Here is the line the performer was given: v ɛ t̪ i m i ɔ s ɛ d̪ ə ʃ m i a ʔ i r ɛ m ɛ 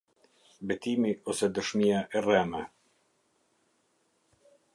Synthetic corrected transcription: b ɛ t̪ i m i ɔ s ɛ d̪ ə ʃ m i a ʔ ɛ r ɛ m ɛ